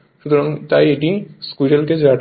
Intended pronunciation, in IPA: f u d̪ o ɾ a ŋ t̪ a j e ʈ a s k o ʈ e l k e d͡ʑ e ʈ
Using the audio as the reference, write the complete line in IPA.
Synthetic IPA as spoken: ʃ u t̪ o ɾ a ŋ t̪ a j e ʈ i s k u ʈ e l k e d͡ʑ a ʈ